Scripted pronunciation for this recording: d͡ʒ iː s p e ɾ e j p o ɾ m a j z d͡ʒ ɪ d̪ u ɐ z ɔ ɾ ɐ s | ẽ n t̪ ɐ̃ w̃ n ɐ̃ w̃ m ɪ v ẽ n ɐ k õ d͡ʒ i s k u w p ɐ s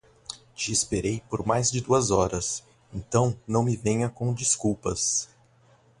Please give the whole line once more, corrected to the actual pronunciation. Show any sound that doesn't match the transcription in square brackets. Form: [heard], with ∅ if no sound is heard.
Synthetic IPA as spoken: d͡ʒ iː s p e ɾ e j p o ɾ m a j z d͡ʒ ɪ d̪ u ɐ z ɔ ɾ ɐ s | ẽ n t̪ ɐ̃ w̃ n ɐ̃ w̃ m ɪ v ẽ [ɲ] ɐ k õ d͡ʒ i s k u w p ɐ s